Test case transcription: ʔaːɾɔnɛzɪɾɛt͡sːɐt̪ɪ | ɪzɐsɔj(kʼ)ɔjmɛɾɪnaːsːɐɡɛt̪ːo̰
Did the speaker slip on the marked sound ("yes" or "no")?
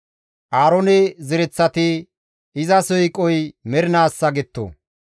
no